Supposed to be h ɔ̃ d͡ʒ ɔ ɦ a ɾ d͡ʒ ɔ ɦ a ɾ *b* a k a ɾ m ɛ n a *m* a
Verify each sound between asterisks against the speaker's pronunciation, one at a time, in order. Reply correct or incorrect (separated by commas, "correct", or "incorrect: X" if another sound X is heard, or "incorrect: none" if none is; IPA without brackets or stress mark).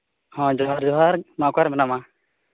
incorrect: m, correct